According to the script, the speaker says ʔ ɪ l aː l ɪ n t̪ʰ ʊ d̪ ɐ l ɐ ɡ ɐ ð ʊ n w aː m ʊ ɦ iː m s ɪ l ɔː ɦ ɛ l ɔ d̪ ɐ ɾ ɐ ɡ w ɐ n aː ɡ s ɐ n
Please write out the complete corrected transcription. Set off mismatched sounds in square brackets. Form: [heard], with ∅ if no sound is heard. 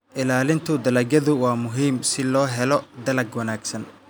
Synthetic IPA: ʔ ɪ l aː l ɪ n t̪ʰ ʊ d̪ ɐ l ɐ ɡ ɐ ð ʊ [∅] w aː m ʊ ɦ iː m s ɪ l ɔː ɦ ɛ l ɔ d̪ ɐ [l] ɐ ɡ w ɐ n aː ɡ s ɐ n